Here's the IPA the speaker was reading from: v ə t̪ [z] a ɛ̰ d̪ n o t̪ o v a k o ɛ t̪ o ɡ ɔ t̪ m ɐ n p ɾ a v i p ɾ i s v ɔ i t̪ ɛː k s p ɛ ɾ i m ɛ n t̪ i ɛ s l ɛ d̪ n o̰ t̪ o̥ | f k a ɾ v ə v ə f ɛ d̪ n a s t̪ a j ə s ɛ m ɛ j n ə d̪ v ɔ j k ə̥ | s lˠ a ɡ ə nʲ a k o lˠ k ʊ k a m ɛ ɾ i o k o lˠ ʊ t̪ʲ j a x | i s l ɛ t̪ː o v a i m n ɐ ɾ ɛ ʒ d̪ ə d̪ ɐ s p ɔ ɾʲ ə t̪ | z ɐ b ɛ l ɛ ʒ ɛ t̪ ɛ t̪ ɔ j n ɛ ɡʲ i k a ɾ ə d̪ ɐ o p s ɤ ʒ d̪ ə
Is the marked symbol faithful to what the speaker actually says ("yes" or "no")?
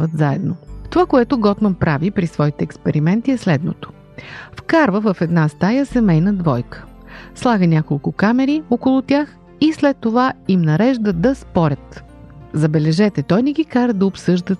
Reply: yes